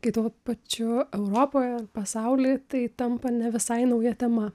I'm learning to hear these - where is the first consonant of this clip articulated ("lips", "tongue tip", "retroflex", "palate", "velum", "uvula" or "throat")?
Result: velum